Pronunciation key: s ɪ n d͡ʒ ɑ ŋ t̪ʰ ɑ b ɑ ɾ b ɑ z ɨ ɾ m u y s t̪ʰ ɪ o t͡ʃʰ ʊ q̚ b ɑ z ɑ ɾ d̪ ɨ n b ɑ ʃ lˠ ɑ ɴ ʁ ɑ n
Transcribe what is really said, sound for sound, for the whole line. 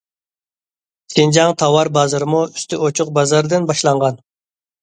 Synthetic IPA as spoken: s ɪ n d͡ʒ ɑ ŋ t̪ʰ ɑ w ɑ ɾ b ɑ z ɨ ɾ m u y s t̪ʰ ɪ o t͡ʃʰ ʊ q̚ b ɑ z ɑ ɾ d̪ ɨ n b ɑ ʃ lˠ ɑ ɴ ʁ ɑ n